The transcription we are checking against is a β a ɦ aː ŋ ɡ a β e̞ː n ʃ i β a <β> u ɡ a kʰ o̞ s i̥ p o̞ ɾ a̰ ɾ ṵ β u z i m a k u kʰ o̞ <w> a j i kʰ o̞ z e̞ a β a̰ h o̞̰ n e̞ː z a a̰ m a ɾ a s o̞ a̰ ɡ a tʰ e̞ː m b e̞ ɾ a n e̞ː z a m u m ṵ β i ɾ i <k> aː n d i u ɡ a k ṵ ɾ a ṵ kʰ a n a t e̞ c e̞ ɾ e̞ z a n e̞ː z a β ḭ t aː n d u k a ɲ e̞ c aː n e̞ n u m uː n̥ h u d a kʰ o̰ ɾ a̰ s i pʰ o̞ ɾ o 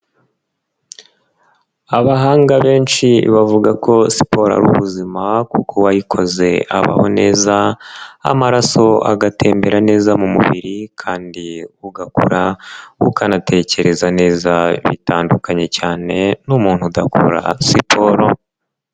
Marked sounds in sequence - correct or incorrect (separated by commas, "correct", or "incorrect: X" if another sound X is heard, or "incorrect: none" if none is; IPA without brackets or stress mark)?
incorrect: v, correct, incorrect: kʰ